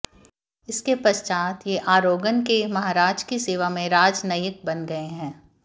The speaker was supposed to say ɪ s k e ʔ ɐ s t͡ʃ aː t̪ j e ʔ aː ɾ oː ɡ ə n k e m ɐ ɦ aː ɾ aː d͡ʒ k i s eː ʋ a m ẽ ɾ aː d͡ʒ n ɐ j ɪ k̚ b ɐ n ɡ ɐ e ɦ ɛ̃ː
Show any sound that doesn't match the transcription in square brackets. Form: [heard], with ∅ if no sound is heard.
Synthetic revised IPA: ɪ s k e [p] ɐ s t͡ʃ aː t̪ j e ʔ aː ɾ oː ɡ ə n k e m ɐ ɦ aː ɾ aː d͡ʒ k i s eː ʋ a m ẽ ɾ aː d͡ʒ n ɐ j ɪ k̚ b ɐ n ɡ ɐ e ɦ ɛ̃ː